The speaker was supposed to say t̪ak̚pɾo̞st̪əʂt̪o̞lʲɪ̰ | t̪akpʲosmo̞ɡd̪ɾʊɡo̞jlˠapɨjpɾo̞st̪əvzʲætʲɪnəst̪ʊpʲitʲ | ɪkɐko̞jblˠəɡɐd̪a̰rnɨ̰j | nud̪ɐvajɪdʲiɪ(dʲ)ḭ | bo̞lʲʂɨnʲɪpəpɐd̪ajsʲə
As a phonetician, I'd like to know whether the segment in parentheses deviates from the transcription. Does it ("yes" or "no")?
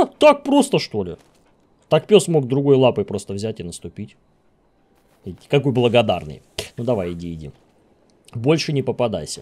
no